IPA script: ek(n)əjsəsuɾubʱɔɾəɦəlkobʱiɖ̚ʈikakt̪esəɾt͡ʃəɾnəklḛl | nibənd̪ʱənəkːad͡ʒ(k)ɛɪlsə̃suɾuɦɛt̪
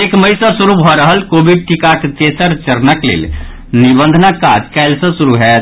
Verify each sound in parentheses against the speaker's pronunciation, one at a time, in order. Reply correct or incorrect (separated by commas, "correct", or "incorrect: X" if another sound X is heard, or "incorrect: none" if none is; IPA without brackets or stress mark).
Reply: incorrect: m, correct